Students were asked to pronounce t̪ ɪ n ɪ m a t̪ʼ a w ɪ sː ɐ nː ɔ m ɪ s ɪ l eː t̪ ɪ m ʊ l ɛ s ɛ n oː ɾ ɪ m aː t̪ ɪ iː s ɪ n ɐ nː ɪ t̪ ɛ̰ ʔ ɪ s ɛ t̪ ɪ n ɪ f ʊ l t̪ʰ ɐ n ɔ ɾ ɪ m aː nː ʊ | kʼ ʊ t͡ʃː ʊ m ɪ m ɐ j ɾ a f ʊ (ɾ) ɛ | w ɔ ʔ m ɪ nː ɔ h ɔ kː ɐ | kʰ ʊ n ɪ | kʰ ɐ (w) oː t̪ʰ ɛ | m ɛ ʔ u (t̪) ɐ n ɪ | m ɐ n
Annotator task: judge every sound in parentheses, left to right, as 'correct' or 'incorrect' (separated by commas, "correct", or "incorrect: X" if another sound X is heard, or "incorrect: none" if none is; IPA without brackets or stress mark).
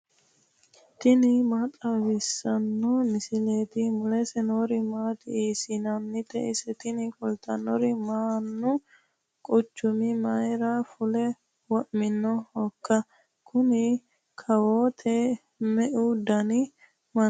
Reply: incorrect: l, correct, incorrect: d̪